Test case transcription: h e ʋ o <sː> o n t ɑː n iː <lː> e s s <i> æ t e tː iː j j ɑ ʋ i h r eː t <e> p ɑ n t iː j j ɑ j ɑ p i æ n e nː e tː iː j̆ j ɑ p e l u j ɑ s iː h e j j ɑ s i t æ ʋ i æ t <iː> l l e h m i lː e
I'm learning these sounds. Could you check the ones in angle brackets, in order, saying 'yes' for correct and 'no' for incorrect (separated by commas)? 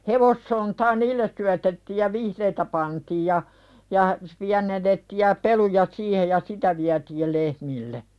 yes, yes, no, no, yes